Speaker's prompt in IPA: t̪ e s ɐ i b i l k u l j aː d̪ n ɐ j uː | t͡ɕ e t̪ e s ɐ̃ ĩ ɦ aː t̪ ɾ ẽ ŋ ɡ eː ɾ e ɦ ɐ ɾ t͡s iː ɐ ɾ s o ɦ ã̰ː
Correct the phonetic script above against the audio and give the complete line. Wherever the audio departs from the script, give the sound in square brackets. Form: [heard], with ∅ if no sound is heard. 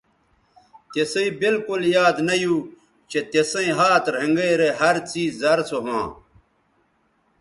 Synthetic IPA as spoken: t̪ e s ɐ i b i l k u l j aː d̪ n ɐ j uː | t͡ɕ e t̪ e s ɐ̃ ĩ ɦ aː t̪ ɾ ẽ ŋ ɡ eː ɾ e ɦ ɐ ɾ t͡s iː ɐ ɾ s o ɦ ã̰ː